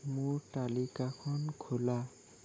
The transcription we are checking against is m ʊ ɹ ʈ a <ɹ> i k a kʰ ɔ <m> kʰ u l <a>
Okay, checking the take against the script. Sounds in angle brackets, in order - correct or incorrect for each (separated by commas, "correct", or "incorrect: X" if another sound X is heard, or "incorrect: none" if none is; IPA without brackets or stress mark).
incorrect: l, incorrect: n, correct